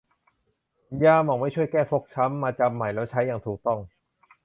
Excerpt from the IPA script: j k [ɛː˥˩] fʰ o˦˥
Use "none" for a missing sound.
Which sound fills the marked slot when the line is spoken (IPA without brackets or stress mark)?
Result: ɛː˥˩